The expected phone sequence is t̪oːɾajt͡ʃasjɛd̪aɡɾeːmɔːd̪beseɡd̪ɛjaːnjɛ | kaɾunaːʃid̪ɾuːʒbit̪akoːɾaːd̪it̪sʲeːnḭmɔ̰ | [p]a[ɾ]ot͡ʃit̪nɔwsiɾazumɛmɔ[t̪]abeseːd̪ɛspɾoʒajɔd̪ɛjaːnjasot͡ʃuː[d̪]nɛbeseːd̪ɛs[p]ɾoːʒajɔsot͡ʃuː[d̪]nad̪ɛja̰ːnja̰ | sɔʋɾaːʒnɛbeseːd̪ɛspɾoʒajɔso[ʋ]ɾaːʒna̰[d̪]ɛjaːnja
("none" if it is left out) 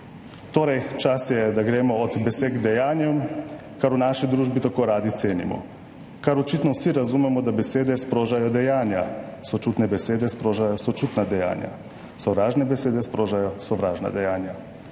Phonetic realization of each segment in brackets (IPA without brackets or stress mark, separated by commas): k, ɾ, d̪, t̪, p, t̪, ʋ, d̪